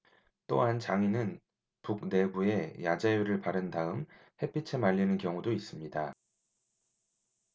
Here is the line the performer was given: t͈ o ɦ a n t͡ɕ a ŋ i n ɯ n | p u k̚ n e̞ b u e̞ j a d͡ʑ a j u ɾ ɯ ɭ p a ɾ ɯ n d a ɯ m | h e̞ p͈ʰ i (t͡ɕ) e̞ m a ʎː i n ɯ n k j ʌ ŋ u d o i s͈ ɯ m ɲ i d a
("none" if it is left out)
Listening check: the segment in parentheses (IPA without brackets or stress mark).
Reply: t͡ɕʰ